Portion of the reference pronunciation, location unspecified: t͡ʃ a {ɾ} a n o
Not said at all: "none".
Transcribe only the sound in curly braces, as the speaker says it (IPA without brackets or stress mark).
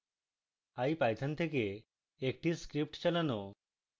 l